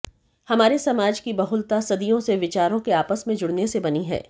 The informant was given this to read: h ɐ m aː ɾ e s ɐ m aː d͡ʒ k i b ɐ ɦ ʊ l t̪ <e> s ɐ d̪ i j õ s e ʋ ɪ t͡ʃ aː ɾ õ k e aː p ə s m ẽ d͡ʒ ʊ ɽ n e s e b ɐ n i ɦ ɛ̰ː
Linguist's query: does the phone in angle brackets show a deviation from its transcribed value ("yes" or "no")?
yes